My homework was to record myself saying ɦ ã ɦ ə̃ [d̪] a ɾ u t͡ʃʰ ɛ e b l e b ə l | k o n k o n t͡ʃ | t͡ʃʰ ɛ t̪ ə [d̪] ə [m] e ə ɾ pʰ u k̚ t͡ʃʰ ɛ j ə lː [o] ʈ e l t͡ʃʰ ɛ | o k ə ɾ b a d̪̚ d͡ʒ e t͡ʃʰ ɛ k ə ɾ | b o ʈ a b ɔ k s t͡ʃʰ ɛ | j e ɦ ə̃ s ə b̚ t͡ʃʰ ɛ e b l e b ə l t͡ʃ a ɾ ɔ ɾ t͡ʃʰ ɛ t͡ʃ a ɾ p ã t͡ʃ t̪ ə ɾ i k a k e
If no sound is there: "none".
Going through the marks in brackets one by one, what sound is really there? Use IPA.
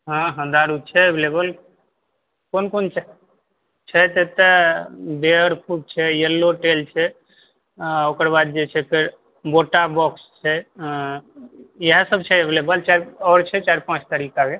d̪, t̪, b, o

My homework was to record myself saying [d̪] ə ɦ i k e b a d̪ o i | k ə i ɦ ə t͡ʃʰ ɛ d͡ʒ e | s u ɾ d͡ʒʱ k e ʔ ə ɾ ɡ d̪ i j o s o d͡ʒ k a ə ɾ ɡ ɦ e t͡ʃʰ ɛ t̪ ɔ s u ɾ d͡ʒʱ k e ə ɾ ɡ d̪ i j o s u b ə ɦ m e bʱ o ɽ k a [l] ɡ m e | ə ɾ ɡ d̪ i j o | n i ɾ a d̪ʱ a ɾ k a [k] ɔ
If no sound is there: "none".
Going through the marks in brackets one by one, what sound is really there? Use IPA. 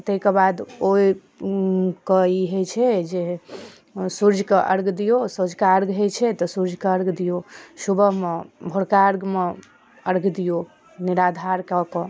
t̪, ɾ, k

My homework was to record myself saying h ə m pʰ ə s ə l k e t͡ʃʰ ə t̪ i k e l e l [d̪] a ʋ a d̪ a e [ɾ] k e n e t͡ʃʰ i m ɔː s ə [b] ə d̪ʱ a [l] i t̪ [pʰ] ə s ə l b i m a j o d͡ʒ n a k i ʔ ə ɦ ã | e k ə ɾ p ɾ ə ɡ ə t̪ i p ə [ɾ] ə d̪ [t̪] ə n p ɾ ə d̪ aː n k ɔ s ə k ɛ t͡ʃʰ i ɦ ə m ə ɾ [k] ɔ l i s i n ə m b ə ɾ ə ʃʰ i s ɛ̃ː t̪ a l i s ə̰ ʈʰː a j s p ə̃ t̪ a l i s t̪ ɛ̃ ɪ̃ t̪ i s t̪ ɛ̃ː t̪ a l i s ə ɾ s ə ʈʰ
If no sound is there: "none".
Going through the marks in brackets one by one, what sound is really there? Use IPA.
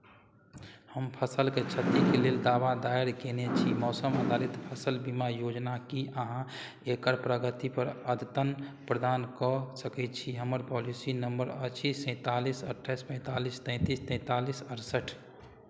d̪, ɾ, m, l, pʰ, ɾ, t̪, p

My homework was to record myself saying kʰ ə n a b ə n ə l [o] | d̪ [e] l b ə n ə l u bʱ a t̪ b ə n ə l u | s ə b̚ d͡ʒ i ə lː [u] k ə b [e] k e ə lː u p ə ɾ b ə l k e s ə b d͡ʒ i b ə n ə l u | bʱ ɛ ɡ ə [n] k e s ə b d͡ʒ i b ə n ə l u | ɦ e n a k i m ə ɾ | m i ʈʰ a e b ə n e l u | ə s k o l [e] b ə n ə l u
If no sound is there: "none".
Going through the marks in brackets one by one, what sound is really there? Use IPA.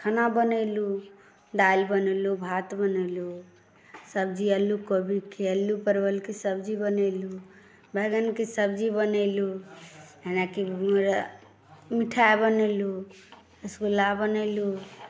u, a, u, i, n, a

